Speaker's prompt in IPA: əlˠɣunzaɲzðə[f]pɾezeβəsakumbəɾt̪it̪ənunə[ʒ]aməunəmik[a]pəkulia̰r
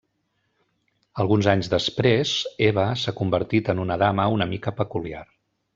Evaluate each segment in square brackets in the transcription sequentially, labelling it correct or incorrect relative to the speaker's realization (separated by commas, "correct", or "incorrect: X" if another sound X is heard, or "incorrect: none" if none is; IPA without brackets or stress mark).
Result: incorrect: s, incorrect: ð, incorrect: ə